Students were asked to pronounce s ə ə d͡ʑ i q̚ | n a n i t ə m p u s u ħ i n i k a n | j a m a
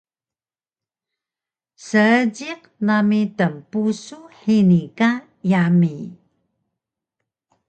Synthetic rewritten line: s ə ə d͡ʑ i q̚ | n a m i t ə m p u s u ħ i n i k a | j a m i